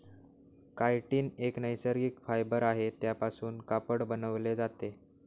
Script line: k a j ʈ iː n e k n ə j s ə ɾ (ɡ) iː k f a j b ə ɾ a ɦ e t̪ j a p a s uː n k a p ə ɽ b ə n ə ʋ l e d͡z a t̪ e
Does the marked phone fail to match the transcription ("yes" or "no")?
no